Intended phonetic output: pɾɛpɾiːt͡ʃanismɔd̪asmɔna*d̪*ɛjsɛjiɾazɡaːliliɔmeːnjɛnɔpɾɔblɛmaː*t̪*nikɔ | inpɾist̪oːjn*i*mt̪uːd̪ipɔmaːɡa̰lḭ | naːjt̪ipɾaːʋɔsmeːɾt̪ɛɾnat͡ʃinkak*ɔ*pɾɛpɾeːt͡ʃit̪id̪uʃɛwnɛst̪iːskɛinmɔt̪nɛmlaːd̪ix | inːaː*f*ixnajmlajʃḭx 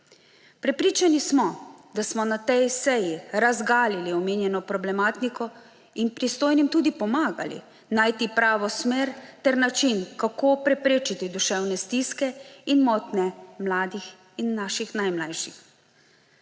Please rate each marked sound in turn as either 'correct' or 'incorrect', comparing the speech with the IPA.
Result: incorrect, correct, correct, incorrect, incorrect

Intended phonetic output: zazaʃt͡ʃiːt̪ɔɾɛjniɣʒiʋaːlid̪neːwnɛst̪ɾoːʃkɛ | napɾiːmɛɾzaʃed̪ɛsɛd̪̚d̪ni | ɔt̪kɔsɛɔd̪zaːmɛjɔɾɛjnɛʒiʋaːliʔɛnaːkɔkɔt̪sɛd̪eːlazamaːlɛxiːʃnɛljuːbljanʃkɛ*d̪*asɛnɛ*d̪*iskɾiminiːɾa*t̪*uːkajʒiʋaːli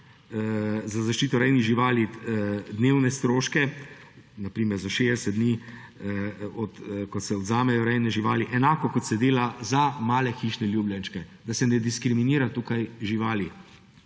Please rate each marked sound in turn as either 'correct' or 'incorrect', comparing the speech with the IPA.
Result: correct, correct, correct

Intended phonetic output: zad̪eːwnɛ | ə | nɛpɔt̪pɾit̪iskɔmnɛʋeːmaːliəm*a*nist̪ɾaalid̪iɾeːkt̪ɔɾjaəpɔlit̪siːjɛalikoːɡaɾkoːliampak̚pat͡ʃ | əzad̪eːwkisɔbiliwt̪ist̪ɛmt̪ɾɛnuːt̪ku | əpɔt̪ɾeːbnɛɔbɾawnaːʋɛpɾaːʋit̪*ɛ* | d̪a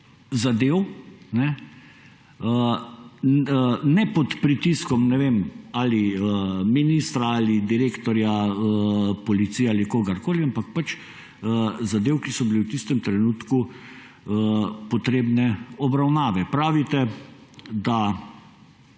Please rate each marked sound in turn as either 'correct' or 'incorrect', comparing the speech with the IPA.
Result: incorrect, correct

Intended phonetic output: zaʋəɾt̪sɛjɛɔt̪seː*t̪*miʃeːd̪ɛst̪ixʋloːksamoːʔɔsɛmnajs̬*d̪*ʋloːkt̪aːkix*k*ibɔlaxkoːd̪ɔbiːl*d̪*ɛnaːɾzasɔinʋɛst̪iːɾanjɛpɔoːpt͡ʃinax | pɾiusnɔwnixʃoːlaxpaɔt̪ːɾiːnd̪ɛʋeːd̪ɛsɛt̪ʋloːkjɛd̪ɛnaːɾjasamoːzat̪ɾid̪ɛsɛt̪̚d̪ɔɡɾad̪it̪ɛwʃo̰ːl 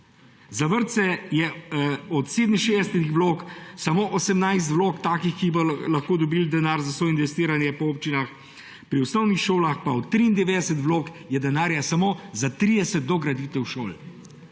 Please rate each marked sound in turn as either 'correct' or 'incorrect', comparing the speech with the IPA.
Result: incorrect, incorrect, correct, correct

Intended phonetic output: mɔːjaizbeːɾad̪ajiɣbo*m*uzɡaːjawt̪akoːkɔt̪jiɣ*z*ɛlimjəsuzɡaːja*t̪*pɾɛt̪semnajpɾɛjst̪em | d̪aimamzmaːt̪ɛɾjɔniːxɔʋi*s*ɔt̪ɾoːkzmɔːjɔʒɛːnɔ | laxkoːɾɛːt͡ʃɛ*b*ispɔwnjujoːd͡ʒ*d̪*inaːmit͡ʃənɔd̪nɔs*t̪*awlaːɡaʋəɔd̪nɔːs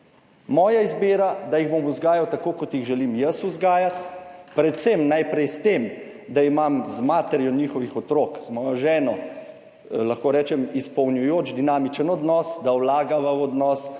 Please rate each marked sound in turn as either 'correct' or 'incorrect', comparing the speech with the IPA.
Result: correct, incorrect, correct, incorrect, incorrect, correct, incorrect

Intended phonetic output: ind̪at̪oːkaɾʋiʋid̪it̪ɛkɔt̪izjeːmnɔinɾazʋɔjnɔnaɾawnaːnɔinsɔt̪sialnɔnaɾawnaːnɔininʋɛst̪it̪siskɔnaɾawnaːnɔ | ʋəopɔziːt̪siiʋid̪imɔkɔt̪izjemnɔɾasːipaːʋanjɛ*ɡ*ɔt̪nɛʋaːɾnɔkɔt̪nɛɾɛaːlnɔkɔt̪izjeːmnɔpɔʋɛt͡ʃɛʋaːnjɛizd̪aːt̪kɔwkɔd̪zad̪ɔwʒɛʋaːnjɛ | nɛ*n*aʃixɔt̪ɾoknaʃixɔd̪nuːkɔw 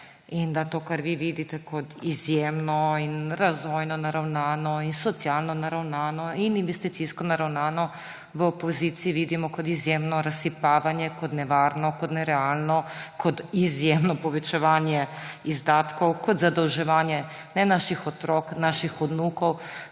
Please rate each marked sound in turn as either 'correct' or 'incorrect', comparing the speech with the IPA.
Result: incorrect, correct

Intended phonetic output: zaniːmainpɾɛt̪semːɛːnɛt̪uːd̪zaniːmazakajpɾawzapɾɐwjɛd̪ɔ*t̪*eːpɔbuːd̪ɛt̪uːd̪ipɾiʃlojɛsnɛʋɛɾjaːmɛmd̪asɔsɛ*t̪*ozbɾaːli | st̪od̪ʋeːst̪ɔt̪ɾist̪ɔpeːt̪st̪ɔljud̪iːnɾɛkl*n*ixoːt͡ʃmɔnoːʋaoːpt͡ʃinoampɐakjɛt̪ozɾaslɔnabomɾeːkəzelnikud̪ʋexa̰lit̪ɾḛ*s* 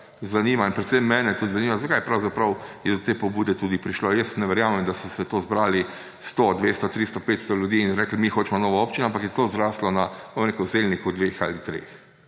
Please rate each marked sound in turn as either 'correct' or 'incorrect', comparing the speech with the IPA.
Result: correct, correct, incorrect, incorrect

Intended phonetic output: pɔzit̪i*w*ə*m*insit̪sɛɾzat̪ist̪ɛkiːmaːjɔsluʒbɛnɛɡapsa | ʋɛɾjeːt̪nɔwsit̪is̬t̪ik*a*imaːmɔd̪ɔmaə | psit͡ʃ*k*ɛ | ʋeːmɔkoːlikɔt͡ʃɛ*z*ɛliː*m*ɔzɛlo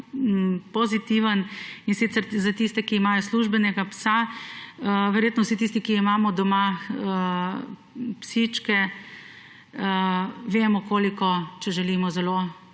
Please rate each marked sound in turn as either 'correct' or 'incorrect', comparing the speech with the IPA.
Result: incorrect, incorrect, incorrect, correct, incorrect, correct

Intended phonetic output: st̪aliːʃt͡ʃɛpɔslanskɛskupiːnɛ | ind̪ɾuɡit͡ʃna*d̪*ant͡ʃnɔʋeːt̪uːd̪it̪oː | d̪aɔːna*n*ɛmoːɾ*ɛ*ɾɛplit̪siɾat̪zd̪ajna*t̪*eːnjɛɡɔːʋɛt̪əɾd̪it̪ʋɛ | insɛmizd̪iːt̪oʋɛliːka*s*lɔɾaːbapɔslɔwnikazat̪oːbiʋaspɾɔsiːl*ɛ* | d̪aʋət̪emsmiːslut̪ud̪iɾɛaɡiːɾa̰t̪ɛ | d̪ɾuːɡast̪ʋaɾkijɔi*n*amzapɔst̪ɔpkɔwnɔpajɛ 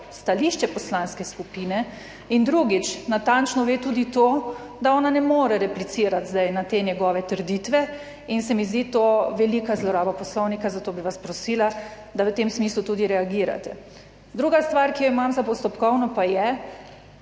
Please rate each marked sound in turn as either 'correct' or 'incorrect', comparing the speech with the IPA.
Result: incorrect, correct, correct, correct, incorrect, incorrect, incorrect

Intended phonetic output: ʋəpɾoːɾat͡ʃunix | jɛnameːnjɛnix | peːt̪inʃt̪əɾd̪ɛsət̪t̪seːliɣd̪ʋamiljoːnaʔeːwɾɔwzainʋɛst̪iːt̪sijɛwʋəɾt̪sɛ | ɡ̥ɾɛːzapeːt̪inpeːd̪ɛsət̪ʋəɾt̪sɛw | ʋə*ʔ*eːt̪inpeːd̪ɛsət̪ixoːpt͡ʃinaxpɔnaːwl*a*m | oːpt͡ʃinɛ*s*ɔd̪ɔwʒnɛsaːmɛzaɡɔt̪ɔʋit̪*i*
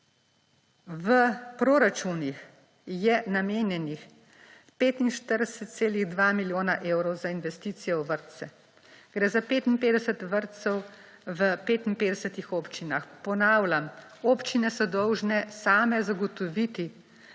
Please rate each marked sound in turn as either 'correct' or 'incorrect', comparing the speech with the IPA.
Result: incorrect, correct, correct, correct

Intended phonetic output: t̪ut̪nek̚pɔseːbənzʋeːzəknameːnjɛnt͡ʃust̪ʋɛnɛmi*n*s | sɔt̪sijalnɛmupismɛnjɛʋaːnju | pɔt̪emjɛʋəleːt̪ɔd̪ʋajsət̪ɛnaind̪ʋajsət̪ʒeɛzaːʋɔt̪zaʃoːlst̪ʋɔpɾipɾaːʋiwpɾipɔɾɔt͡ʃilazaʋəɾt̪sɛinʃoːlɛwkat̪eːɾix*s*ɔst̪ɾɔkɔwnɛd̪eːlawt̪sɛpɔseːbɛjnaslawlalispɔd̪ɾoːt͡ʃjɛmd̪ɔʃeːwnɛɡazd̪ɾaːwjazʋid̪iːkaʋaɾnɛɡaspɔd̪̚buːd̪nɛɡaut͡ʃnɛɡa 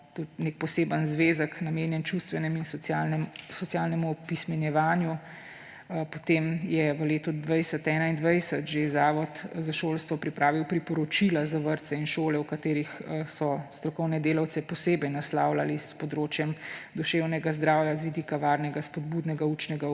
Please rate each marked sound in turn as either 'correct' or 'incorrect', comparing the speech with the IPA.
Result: correct, correct

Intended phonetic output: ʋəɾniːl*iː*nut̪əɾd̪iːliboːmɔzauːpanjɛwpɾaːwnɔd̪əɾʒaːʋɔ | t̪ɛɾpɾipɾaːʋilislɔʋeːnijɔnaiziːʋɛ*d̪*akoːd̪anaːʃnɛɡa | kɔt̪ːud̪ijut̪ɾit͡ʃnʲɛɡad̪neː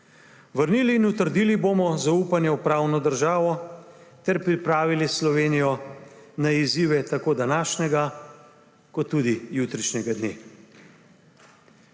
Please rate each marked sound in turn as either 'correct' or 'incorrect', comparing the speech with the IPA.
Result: correct, incorrect

